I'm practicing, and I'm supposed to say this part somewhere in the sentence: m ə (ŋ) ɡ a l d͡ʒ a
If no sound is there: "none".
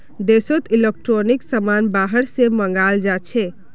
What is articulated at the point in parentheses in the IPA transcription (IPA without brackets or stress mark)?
ŋ